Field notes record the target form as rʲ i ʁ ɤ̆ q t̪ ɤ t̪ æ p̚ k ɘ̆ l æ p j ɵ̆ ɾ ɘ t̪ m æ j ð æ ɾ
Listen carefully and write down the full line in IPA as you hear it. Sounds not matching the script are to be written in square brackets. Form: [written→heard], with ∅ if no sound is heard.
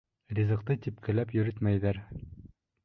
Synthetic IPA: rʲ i [ʁ→z] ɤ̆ q t̪ ɤ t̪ [æ→i] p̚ k ɘ̆ l æ p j ɵ̆ ɾ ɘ t̪ m æ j ð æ ɾ